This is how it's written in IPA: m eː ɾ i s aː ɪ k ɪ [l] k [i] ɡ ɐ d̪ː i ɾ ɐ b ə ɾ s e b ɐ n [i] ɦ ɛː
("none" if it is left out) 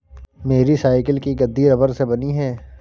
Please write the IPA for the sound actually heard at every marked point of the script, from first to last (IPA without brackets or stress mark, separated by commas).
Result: l, i, i